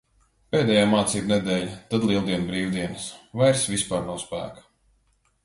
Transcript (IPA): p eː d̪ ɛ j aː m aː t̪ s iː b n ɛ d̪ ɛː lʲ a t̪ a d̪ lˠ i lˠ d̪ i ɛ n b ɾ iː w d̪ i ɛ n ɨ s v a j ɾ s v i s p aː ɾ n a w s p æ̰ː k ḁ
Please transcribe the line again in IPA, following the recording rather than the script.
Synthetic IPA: p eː d̪ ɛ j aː m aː t̪ s iː b n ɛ d̪ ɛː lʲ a t̪ a d̪ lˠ i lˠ d̪ i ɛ n b ɾ iː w d̪ i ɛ n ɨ s v a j ɾ s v i s p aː ɾ n a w s p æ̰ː k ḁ